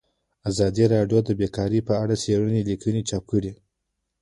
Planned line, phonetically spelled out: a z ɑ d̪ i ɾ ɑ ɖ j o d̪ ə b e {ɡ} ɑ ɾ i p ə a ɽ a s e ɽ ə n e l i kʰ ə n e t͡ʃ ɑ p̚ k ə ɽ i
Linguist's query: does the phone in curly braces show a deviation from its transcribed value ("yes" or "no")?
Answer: yes